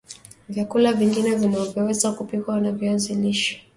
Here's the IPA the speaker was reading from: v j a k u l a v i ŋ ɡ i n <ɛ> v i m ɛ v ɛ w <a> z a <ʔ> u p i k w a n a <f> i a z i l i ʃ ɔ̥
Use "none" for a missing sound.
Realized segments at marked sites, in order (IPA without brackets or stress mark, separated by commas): ɛ, ɛ, k, v